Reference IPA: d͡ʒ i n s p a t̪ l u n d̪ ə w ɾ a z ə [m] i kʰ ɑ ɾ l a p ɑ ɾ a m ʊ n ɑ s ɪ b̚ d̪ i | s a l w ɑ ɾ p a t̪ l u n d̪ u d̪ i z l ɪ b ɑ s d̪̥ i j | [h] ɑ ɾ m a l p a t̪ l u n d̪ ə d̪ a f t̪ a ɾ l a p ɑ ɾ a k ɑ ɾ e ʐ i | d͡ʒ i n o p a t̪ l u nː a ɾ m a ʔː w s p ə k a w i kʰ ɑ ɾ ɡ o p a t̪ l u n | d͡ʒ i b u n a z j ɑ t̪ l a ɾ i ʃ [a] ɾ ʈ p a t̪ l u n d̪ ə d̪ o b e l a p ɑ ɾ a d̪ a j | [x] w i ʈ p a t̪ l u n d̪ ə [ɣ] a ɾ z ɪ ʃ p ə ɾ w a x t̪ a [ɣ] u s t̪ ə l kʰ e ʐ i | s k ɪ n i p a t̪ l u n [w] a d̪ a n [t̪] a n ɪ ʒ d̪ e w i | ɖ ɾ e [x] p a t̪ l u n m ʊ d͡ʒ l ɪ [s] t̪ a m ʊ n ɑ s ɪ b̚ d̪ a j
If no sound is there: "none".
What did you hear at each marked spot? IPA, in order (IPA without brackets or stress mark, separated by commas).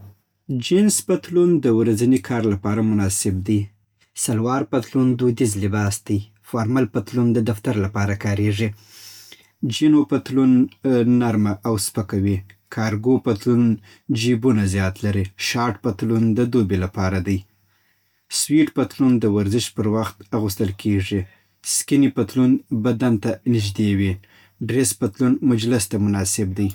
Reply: n, f, ɑ, s, w, ɣ, b, t̪, s, s